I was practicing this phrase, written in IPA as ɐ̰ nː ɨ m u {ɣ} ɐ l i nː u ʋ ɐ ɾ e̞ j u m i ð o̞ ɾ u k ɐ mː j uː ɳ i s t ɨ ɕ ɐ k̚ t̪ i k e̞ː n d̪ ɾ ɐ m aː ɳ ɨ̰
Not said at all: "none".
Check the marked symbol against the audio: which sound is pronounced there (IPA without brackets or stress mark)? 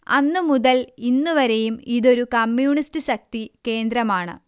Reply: ð